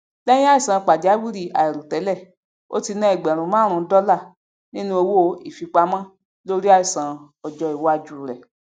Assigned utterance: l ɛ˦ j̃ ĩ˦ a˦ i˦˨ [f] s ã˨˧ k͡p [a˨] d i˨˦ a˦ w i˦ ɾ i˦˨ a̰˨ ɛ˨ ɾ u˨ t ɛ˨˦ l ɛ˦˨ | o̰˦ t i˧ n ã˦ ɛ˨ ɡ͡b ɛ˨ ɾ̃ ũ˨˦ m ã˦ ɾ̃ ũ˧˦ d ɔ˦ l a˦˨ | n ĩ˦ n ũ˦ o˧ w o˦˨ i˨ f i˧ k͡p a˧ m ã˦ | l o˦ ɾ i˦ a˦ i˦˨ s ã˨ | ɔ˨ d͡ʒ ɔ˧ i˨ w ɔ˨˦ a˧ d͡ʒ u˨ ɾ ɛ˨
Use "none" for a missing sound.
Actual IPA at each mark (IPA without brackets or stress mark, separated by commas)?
none, a˨